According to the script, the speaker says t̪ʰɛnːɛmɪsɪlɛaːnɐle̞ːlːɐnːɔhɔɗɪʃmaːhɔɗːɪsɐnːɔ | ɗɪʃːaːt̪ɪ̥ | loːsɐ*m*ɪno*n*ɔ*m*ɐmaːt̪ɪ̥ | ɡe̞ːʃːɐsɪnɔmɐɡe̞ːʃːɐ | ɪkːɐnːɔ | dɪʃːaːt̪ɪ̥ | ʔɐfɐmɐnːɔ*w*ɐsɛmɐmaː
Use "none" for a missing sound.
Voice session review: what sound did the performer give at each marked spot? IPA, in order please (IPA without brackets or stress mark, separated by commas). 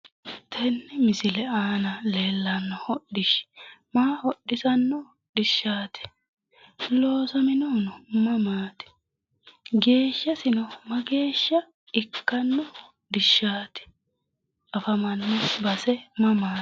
m, n, m, b